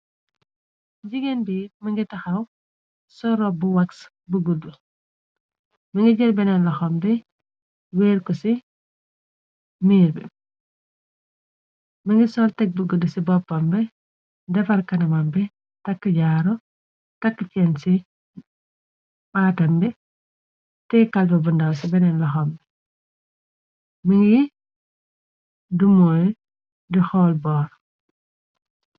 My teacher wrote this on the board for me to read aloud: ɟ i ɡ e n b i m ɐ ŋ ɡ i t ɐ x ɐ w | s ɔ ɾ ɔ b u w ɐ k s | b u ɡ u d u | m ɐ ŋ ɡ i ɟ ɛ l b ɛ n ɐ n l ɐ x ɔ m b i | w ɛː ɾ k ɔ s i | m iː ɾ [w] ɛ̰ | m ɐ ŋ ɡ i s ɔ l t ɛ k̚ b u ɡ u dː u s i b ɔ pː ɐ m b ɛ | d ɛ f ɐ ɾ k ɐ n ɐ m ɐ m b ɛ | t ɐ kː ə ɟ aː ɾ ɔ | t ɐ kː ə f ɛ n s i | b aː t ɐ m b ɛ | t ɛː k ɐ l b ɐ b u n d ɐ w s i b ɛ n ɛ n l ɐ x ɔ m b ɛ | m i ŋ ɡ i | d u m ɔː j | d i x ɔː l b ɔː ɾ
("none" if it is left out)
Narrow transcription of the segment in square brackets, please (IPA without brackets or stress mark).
b